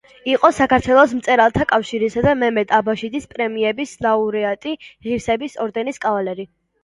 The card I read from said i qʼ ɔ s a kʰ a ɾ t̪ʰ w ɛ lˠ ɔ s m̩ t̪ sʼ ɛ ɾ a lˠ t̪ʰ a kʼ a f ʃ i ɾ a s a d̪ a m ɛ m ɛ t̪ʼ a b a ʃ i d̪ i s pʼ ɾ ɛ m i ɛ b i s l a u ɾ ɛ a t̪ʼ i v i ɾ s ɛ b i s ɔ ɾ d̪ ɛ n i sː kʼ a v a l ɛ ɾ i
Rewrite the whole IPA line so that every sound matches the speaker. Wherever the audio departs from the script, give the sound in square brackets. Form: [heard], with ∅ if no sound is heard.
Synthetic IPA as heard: i qʼ ɔ s a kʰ a ɾ t̪ʰ w ɛ lˠ ɔ s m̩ t̪ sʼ ɛ ɾ a lˠ t̪ʰ a kʼ a f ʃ i ɾ [i] s a d̪ a m ɛ m ɛ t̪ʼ a b a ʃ i d̪ i s pʼ ɾ ɛ m i ɛ b i s l a u ɾ ɛ a t̪ʼ i [ʁ] i ɾ s ɛ b i s ɔ ɾ d̪ ɛ n i [s] kʼ a v a l ɛ ɾ i